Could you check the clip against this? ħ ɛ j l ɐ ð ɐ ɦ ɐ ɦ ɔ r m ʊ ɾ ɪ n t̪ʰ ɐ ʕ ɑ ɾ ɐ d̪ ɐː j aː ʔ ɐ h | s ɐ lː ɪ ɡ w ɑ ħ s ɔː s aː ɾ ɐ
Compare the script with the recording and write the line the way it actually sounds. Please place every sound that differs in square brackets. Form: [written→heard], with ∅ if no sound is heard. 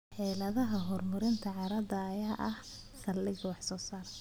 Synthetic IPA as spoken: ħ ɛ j l ɐ ð ɐ ɦ ɐ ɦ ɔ r m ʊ ɾ ɪ n t̪ʰ ɐ ʕ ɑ ɾ ɐ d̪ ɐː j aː ʔ ɐ h | s ɐ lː ɪ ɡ w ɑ ħ s ɔː s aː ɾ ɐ